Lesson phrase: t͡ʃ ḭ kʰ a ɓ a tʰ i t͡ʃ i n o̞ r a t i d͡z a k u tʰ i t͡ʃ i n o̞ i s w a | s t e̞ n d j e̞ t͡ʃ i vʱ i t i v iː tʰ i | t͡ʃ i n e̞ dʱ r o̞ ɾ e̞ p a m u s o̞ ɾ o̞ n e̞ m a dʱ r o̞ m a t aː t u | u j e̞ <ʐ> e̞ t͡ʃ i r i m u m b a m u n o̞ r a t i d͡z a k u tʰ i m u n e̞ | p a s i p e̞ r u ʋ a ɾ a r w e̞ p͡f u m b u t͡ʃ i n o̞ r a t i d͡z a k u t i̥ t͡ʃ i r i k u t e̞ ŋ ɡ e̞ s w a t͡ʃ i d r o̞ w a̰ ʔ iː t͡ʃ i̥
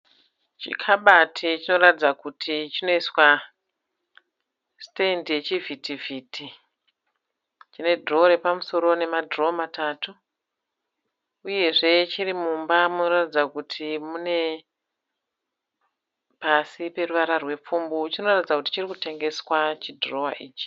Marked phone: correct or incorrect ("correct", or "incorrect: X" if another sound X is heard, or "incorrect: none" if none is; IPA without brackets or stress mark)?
correct